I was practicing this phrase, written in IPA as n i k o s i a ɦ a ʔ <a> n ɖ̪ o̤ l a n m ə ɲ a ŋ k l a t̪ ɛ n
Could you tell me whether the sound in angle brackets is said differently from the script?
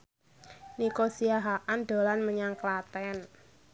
no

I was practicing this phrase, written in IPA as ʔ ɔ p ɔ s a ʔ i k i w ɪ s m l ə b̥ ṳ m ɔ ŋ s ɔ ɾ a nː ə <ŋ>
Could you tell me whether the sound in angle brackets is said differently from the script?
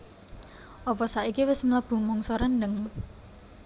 no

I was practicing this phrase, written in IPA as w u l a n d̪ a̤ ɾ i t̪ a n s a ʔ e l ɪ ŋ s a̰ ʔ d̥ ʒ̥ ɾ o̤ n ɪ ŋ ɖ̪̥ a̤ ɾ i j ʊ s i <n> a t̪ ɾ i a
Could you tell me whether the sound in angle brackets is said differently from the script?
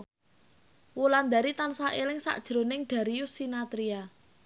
no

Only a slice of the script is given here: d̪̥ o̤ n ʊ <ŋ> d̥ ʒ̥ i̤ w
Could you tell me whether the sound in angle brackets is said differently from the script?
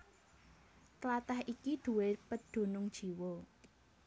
no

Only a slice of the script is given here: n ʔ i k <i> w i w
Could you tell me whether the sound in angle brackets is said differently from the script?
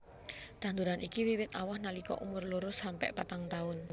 no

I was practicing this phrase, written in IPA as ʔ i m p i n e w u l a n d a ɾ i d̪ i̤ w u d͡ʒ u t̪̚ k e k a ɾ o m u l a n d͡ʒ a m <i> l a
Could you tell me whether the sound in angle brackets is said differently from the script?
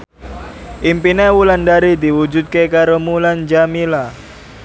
no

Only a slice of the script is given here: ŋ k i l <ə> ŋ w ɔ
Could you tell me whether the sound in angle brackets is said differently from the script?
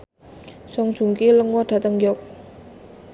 no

